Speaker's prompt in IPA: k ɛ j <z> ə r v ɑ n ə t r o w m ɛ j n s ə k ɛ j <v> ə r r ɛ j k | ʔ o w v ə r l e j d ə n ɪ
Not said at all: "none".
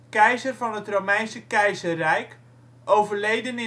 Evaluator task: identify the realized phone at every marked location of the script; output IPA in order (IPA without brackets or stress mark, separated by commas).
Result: z, z